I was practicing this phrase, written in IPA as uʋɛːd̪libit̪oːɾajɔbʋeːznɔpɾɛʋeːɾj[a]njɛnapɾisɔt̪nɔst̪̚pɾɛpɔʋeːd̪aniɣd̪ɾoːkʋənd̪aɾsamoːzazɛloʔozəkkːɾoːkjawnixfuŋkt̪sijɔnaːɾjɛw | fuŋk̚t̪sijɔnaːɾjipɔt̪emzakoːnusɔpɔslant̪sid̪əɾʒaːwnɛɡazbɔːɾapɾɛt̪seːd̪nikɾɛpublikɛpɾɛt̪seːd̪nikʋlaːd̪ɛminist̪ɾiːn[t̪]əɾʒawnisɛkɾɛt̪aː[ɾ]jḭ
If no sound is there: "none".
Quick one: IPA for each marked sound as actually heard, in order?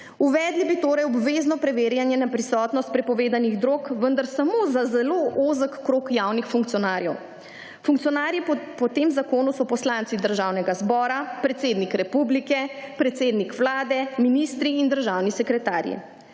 a, d̪, ɾ

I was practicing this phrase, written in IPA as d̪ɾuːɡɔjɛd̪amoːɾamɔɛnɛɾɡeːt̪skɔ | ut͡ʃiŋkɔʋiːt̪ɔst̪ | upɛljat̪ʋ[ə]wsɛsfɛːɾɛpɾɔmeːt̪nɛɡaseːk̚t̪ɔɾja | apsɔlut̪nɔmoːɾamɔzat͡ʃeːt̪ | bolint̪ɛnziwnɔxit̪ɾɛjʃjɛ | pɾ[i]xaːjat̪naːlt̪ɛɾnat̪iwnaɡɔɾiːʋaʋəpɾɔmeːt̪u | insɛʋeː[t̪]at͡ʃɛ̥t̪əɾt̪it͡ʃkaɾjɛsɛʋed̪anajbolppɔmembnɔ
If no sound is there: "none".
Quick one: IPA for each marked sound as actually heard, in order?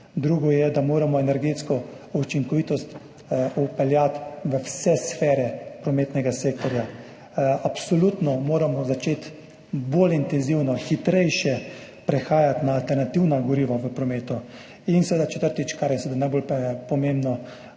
ə, ɛ, d̪

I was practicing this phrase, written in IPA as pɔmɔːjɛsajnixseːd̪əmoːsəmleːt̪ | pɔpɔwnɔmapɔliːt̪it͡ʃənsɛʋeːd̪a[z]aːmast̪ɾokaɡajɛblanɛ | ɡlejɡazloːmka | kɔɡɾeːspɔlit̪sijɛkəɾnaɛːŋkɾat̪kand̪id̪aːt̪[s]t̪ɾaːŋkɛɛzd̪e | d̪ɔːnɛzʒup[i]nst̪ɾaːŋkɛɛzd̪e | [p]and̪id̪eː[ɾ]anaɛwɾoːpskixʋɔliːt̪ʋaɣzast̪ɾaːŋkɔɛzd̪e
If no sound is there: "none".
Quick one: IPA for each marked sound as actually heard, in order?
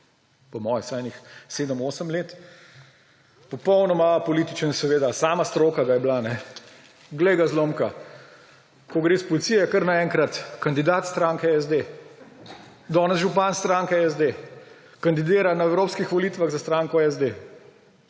s, s, a, k, ɾ

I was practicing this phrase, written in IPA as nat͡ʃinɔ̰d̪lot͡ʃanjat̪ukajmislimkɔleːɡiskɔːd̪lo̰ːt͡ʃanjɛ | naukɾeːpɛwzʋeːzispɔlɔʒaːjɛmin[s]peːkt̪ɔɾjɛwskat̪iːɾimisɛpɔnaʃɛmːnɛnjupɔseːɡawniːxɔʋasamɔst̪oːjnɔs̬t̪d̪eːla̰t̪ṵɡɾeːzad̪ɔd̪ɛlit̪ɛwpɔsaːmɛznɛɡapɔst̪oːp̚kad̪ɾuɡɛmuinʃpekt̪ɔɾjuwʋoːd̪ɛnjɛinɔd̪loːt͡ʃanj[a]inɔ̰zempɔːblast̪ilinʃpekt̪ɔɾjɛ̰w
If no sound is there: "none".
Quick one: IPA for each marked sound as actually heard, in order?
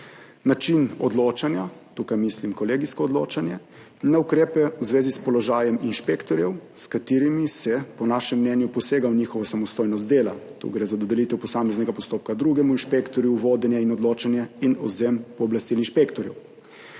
ʃ, ɛ

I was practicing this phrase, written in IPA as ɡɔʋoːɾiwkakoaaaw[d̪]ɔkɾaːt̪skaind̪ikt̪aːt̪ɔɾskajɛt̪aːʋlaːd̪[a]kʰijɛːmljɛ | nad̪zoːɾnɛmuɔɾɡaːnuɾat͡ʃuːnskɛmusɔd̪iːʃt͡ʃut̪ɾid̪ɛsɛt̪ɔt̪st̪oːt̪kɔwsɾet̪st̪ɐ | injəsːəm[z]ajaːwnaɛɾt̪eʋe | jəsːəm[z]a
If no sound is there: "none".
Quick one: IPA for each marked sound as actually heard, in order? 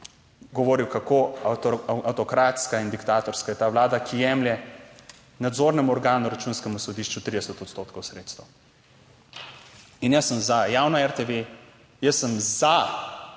t̪, a, z, z

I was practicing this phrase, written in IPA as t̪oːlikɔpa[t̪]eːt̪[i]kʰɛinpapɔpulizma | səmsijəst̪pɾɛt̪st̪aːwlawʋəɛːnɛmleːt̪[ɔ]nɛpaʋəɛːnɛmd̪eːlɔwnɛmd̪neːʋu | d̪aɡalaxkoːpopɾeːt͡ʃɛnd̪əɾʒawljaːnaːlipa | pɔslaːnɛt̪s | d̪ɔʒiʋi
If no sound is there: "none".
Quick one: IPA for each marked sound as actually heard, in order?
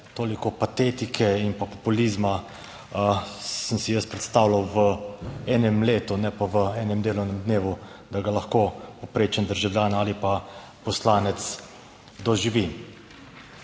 t̪, i, u

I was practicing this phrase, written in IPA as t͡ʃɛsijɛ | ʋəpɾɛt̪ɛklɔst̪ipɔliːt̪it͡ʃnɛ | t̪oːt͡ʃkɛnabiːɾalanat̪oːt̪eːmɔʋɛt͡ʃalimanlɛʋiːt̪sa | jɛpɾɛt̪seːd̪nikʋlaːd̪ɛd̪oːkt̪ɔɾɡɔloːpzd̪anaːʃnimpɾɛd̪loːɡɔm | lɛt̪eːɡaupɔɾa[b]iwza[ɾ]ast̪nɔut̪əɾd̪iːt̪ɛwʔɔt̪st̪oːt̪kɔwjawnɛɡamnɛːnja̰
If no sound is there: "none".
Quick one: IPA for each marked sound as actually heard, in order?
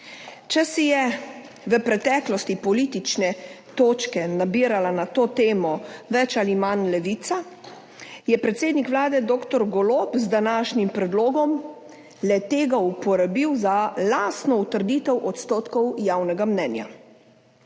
b, l

